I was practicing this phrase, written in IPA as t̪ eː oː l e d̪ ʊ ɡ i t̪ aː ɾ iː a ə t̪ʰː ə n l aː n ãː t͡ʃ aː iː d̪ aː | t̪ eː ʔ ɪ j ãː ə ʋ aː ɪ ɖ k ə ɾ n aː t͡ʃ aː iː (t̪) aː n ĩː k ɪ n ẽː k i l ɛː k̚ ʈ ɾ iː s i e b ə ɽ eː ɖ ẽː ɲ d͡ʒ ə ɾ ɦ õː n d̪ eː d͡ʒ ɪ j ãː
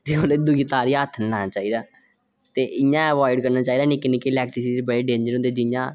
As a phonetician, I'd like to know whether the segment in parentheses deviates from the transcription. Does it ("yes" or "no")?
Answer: yes